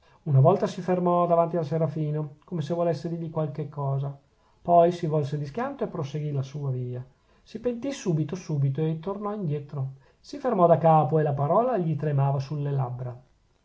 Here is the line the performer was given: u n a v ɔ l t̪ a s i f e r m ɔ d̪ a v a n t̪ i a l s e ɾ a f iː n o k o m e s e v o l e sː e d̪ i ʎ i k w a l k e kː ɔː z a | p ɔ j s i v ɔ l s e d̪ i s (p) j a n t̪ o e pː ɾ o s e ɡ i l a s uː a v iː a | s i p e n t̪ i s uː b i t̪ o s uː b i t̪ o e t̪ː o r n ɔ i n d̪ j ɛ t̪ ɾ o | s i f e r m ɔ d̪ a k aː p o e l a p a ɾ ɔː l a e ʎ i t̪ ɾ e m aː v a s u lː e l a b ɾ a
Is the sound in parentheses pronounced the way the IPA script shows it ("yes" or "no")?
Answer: no